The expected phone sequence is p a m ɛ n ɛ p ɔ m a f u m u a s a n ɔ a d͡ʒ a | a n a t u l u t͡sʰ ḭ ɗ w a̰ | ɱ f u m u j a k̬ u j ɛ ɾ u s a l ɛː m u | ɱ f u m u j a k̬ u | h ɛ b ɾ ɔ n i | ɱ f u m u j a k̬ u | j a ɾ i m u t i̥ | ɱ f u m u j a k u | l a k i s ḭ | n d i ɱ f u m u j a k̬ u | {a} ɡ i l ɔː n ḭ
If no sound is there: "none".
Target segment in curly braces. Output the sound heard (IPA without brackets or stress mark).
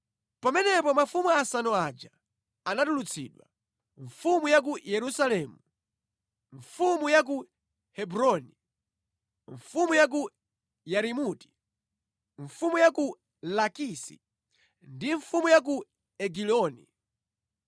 ɛ